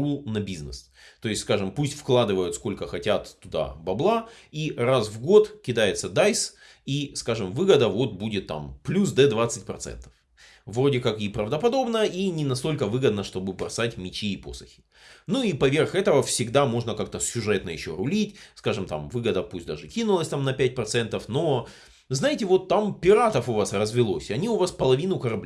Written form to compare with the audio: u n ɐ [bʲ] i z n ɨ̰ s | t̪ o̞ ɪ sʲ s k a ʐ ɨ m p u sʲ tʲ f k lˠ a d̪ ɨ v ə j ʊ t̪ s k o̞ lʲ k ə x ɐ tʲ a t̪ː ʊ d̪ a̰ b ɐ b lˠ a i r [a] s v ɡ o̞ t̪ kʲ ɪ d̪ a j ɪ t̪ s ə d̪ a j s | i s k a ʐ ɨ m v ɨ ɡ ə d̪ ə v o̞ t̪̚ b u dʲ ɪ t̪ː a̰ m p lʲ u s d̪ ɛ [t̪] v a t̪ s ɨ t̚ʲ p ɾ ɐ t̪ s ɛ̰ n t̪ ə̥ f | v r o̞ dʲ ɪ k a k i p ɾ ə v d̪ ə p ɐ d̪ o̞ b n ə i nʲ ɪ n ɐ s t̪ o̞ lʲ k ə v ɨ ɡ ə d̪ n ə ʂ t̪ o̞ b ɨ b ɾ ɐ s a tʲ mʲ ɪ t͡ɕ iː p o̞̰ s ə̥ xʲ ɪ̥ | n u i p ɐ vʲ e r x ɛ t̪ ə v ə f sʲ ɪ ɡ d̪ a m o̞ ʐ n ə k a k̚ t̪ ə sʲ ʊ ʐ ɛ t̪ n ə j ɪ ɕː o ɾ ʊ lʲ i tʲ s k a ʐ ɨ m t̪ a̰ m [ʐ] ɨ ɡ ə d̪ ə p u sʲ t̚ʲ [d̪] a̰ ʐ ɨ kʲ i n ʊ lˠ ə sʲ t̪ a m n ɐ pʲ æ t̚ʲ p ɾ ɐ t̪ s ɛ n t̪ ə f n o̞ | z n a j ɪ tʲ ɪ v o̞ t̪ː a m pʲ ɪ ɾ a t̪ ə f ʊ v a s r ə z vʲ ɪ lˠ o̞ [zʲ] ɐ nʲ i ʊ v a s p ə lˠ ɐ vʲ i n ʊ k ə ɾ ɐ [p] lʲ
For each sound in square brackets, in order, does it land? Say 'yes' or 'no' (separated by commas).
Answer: yes, yes, no, no, yes, no, no